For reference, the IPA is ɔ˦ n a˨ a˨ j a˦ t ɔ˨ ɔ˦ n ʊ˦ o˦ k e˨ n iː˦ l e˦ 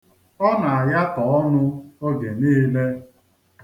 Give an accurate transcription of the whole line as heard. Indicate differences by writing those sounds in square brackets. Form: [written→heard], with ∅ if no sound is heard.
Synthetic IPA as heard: ɔ˦ n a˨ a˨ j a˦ t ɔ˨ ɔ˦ n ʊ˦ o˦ [k→ɡ] e˨ n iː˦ l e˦